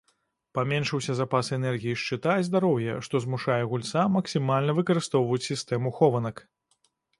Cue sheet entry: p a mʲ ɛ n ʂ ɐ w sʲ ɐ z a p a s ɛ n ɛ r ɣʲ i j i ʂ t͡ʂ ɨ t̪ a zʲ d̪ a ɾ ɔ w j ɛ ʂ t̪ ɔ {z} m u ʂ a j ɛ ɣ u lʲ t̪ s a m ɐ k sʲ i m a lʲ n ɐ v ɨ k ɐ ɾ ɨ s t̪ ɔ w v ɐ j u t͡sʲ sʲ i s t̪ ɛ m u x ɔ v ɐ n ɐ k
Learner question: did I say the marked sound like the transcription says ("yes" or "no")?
yes